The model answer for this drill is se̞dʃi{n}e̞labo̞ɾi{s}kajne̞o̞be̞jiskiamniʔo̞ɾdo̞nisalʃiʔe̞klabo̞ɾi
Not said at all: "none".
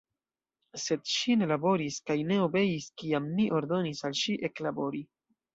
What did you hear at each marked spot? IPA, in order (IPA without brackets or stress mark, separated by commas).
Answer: n, s